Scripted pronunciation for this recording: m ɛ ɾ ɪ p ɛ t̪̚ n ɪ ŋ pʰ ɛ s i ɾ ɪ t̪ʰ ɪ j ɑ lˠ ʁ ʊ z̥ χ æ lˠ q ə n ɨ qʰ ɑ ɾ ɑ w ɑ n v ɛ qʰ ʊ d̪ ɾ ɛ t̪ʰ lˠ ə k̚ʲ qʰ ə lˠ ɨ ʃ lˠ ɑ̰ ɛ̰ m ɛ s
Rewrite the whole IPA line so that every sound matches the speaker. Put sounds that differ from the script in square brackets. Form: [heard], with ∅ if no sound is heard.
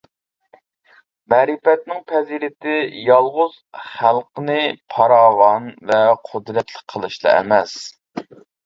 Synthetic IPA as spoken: m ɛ ɾ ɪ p ɛ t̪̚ n ɪ ŋ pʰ ɛ [z] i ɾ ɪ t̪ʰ ɪ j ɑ lˠ ʁ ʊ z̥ χ æ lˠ q ə n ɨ [pʰ] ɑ ɾ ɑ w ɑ n v ɛ qʰ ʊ d̪ ɾ ɛ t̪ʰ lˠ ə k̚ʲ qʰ ə lˠ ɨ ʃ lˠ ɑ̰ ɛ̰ m ɛ s